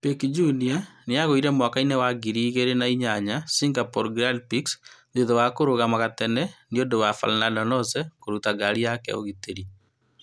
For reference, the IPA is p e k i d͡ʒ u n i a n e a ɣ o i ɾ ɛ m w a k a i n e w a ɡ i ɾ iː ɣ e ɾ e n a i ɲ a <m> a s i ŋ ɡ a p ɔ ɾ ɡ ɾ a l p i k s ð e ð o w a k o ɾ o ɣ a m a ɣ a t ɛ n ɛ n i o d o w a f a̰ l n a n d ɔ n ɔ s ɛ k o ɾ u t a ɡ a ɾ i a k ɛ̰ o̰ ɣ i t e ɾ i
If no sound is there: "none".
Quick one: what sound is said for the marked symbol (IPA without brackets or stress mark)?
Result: ɲ